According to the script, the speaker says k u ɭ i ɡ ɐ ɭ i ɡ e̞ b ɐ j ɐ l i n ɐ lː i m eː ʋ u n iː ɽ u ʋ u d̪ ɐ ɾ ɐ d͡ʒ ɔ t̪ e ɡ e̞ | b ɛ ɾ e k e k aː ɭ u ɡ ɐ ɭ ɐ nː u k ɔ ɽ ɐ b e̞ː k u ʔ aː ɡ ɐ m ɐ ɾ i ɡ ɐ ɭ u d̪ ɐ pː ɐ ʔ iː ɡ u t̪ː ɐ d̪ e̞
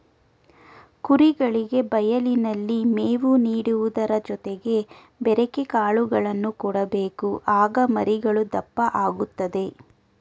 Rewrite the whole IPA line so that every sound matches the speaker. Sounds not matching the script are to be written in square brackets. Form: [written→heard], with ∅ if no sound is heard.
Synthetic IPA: k u [ɭ→ɾ] i ɡ ɐ ɭ i ɡ e̞ b ɐ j ɐ l i n ɐ lː i m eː ʋ u n iː ɽ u ʋ u d̪ ɐ ɾ ɐ d͡ʒ ɔ t̪ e ɡ e̞ | b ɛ ɾ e k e k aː ɭ u ɡ ɐ ɭ ɐ nː u k ɔ ɽ ɐ b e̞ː k u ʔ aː ɡ ɐ m ɐ ɾ i ɡ ɐ ɭ u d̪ ɐ pː ɐ ʔ [iː→aː] ɡ u t̪ː ɐ d̪ e̞